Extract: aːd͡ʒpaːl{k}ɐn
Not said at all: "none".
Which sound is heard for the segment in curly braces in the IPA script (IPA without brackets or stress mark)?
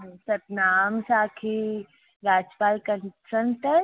k